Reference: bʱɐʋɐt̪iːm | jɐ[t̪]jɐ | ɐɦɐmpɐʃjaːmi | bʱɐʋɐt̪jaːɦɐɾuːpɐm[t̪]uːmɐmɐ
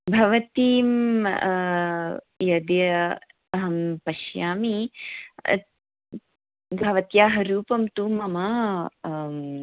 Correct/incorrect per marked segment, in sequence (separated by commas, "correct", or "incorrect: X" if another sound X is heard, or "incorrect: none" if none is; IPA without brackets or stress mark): incorrect: d̪, correct